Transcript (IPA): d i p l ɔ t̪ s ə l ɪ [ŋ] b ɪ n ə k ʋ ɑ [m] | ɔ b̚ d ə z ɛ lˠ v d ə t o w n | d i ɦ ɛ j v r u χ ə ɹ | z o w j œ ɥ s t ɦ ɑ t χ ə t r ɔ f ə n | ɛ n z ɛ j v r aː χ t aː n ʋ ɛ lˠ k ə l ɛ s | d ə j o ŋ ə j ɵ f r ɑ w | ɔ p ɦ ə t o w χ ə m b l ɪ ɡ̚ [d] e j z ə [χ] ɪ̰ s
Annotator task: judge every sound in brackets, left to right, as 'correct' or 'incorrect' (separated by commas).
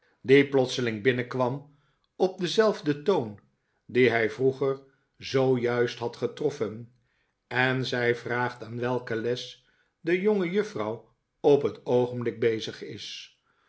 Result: correct, correct, incorrect, correct